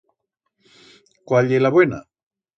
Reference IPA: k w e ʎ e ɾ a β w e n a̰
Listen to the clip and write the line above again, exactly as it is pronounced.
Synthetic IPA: k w a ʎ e l a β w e n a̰